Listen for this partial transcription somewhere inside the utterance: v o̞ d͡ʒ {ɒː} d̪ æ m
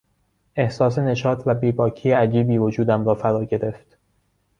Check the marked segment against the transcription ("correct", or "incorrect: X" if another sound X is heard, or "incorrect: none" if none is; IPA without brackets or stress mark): incorrect: uː